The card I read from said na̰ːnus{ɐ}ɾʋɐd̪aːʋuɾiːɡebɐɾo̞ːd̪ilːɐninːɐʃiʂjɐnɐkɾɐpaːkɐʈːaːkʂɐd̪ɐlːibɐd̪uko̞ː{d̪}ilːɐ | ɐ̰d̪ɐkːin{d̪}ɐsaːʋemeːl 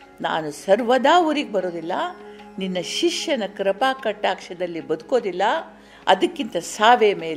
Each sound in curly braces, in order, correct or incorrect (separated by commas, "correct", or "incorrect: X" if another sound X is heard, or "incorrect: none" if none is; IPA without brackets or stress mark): correct, correct, incorrect: t̪